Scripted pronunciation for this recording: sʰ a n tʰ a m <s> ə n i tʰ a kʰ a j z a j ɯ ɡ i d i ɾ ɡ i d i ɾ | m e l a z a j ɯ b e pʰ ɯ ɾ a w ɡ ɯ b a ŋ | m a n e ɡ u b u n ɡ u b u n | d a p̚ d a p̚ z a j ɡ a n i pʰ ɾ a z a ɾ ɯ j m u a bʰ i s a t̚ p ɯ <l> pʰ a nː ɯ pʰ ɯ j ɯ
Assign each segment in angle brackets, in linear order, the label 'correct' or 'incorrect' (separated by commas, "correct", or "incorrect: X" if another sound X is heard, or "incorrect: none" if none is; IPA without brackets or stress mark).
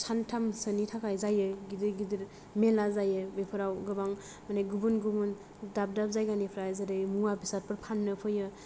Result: correct, incorrect: ɾ